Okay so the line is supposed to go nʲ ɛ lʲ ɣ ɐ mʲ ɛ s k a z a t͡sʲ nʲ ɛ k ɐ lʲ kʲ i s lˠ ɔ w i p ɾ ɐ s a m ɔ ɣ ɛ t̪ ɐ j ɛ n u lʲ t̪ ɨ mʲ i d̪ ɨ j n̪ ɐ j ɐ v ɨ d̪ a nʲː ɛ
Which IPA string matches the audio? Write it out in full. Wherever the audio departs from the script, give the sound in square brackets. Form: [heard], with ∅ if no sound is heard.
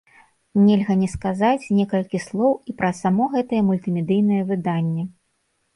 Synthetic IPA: nʲ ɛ lʲ ɣ ɐ [nʲ] ɛ s k a z a t͡sʲ nʲ ɛ k ɐ lʲ kʲ i s lˠ ɔ w i p ɾ ɐ s a m ɔ ɣ ɛ t̪ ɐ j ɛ [m] u lʲ t̪ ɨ mʲ [ɛ] d̪ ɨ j n̪ ɐ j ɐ v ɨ d̪ a nʲː ɛ